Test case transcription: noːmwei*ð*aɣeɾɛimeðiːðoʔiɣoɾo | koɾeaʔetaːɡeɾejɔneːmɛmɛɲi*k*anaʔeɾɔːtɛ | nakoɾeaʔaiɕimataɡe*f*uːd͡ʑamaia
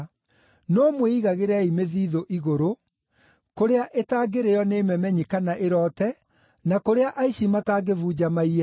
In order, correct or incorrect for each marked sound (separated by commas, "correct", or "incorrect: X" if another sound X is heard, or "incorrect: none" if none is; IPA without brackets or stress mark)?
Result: incorrect: ɣ, correct, incorrect: v